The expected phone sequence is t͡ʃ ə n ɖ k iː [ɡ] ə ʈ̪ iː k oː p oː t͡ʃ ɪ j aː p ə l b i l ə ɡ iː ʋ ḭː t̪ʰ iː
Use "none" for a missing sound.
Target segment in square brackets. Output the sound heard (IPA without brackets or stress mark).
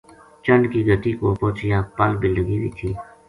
ɡ